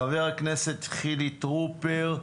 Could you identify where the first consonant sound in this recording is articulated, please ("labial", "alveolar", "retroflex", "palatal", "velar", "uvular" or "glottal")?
labial